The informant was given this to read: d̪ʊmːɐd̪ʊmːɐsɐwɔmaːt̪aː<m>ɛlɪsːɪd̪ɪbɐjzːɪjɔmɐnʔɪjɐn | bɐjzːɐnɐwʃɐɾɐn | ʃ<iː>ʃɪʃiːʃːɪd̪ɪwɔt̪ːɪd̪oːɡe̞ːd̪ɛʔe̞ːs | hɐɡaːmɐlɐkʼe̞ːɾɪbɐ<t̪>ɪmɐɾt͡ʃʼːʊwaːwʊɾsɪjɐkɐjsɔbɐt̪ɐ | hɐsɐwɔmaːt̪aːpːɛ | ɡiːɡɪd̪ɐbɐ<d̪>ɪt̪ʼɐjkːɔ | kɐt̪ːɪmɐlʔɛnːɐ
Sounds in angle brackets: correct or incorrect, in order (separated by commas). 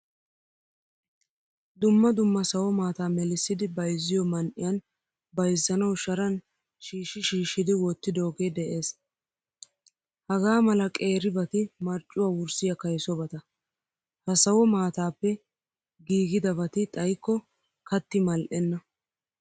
correct, correct, correct, incorrect